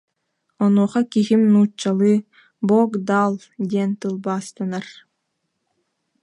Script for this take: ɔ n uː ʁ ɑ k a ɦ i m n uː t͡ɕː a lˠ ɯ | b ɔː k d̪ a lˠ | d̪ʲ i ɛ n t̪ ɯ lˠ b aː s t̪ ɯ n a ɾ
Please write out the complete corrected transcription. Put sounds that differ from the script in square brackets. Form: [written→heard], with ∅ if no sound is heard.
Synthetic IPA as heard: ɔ n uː [ʁ→χ] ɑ k [a→i] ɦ i m n uː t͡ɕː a lˠ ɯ | b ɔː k d̪ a lˠ | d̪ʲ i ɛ n t̪ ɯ lˠ b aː s t̪ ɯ n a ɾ